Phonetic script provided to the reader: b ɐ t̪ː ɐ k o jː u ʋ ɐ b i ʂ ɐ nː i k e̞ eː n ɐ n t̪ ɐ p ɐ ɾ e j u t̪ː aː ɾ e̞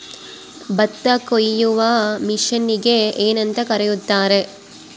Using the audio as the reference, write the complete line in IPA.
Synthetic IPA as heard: b ɐ t̪ː ɐ k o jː u ʋ ɐ m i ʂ ɐ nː i ɡ e̞ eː n ɐ n t̪ ɐ k ɐ ɾ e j u t̪ː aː ɾ e̞